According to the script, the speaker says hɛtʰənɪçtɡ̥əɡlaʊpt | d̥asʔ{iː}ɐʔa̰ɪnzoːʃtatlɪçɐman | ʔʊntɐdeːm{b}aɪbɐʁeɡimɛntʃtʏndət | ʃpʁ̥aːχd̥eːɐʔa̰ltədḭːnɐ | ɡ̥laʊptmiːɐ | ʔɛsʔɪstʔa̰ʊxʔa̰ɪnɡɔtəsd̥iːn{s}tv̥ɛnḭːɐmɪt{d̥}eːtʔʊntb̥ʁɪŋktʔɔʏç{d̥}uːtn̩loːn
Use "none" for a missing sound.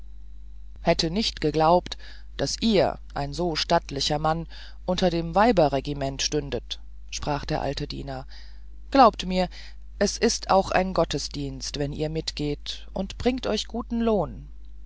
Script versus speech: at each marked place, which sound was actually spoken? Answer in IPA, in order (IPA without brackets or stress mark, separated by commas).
iː, v, s, ɡ̥, ɡ̥